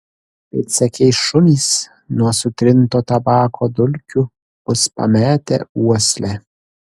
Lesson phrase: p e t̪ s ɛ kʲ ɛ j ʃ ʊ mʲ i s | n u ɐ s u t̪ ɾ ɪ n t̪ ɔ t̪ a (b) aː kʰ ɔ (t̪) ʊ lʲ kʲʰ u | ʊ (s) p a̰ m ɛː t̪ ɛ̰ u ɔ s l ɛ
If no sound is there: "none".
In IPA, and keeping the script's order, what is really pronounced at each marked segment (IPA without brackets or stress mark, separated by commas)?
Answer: b, d̪, s